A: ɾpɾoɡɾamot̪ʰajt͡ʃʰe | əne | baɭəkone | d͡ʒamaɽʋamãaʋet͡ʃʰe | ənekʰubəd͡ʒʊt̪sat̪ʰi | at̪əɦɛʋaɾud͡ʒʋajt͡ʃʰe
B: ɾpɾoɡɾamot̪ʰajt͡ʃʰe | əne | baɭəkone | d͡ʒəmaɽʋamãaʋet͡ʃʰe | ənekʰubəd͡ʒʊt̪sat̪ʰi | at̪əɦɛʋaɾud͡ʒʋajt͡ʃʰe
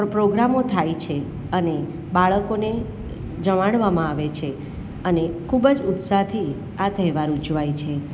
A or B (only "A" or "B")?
B